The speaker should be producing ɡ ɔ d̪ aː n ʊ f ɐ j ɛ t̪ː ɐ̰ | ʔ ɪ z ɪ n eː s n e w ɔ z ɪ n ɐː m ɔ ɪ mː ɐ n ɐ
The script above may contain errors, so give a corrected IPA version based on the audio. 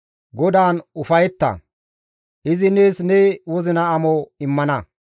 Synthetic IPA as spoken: ɡ ɔ d̪ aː n ʊ f ɐ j ɛ t̪ː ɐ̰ | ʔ ɪ z ɪ n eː s n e w ɔ z ɪ n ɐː m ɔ ɪ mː ɐ n ɐ

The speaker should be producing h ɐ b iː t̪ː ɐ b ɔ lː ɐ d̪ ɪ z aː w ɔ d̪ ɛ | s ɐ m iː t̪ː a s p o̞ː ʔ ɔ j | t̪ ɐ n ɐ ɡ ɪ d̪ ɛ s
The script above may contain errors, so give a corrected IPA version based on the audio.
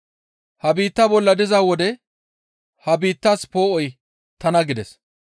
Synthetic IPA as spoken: h ɐ b iː t̪ː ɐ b ɔ lː ɐ d̪ ɪ z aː w ɔ d̪ ɛ | h ɐ b iː t̪ː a s p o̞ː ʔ ɔ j | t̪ ɐ n ɐ ɡ ɪ d̪ ɛ s

